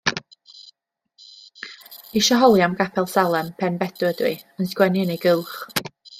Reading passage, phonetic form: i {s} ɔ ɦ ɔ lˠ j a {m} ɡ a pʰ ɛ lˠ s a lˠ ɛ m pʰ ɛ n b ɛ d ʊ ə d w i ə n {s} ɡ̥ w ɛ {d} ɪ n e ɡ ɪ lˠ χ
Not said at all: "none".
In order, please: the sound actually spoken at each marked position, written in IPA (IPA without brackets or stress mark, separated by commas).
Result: ʃ, m, s, n